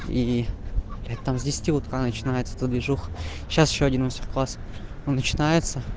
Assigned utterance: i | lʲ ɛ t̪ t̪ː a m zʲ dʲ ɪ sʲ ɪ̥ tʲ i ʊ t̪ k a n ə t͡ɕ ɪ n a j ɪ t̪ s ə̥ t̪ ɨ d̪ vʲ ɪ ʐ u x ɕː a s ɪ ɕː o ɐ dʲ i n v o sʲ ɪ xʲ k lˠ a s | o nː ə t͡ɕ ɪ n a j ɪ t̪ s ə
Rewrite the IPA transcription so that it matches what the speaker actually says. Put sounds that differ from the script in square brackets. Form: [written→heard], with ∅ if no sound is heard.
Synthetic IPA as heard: i | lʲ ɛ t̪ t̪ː a m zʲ dʲ ɪ sʲ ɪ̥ tʲ i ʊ t̪ k a n ə t͡ɕ ɪ n a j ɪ t̪ s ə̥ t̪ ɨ d̪ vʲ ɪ ʐ u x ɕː a s ɪ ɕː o ɐ dʲ i n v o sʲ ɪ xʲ k lˠ a s | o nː ə t͡ɕ ɪ n a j ɪ t̪ s ə